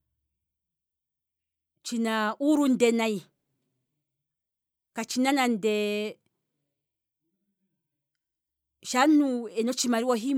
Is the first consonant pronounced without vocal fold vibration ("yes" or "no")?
yes